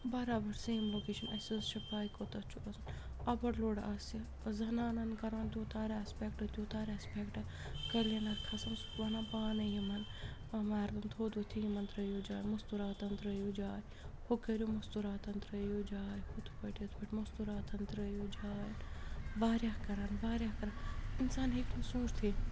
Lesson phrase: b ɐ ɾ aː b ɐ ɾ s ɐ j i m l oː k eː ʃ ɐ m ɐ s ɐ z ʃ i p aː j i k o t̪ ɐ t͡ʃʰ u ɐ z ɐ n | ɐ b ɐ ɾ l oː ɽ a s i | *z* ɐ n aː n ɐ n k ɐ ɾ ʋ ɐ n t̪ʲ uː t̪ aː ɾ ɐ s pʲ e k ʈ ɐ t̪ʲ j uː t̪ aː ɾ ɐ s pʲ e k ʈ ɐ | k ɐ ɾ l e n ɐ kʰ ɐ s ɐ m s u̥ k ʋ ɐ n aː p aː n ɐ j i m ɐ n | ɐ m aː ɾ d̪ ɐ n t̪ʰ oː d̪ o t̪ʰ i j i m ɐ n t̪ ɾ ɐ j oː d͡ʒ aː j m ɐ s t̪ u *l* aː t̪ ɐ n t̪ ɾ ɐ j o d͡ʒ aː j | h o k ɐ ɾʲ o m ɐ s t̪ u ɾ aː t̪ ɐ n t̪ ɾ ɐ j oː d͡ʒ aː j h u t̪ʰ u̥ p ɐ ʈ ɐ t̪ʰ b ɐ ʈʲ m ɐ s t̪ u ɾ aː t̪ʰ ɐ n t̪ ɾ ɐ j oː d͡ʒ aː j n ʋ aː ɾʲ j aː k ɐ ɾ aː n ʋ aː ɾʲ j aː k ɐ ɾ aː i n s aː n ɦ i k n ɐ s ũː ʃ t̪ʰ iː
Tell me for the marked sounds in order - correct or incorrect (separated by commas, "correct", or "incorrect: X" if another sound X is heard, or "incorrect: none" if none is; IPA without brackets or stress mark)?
correct, incorrect: ɾ